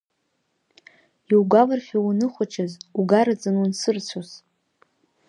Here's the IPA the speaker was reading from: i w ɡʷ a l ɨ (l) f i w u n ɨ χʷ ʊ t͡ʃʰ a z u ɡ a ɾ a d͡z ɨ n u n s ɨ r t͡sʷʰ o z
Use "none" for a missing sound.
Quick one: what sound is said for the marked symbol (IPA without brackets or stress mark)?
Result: r